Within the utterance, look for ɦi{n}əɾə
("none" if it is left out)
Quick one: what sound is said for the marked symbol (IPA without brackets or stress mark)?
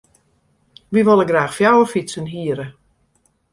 none